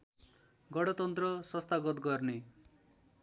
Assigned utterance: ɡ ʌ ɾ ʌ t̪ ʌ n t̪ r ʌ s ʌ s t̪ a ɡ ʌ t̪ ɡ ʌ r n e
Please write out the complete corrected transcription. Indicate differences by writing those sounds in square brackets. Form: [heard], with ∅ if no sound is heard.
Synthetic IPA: ɡ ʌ [ɽ] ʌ t̪ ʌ n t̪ r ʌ s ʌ s t̪ a ɡ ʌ t̪ ɡ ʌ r n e